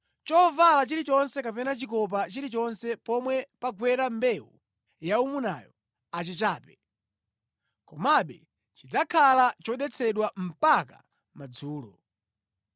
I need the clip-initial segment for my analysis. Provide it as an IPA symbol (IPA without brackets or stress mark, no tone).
t͡ʃ